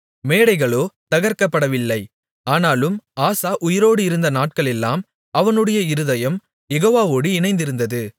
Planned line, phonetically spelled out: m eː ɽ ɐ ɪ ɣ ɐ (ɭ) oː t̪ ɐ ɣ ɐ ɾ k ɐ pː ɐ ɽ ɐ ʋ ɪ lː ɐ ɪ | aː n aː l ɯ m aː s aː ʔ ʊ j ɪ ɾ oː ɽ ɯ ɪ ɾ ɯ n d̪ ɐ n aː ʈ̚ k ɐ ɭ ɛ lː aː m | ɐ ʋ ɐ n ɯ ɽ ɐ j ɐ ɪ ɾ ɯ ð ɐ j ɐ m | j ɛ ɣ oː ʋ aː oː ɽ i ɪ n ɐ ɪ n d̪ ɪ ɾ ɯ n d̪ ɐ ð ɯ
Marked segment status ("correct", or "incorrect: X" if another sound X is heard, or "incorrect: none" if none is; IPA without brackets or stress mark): correct